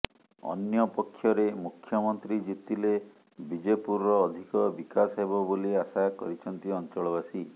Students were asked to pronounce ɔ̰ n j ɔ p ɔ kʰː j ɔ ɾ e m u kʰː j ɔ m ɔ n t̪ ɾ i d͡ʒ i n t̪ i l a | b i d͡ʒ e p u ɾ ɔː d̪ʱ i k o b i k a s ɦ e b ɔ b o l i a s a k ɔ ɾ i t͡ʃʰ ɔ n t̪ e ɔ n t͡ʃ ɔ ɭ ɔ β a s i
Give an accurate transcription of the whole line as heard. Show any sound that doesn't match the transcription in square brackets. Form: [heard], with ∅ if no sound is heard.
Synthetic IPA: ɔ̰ n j ɔ p ɔ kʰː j ɔ ɾ e m u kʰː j ɔ m ɔ n t̪ ɾ i d͡ʒ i [∅] t̪ i l [e] | b i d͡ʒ e p u ɾ ɔː d̪ʱ i k [ɔ] b i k a s ɦ e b ɔ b o l i a s a k ɔ ɾ i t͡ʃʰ ɔ n t̪ [i] ɔ n t͡ʃ ɔ ɭ ɔ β a s i